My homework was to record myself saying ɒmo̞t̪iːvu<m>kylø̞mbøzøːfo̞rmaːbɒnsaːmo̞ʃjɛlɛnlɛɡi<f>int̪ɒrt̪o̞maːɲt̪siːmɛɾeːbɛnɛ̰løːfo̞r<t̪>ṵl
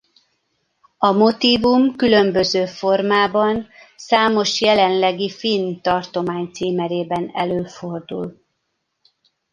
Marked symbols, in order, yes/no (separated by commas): yes, yes, no